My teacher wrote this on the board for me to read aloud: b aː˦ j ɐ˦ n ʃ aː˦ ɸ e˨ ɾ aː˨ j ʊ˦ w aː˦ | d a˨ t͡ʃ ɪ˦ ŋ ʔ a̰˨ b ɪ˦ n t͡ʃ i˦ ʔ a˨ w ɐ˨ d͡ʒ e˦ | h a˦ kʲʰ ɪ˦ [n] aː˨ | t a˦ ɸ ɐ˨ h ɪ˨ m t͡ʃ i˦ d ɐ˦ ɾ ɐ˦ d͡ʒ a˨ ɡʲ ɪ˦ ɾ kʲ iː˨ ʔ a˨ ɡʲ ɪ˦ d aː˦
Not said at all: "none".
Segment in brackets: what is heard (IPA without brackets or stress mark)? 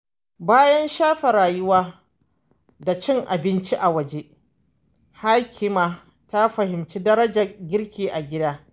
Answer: m